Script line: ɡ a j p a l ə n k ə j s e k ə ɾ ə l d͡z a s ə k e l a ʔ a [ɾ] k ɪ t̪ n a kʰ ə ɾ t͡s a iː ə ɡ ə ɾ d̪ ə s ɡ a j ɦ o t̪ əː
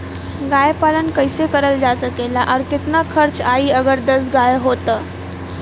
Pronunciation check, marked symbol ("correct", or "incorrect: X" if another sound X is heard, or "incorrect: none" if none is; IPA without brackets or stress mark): correct